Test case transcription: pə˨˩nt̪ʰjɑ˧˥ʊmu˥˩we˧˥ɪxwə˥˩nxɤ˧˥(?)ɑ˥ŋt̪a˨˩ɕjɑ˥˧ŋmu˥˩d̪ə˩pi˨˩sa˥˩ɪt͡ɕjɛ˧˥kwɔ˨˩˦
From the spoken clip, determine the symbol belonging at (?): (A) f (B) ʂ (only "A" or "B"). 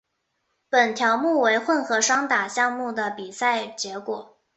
B